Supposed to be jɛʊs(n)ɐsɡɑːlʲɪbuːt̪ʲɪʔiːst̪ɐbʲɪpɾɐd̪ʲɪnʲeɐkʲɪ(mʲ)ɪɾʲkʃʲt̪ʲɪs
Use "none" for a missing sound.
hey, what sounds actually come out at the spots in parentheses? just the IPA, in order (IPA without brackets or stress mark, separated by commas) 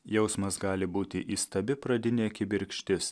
m, bʲ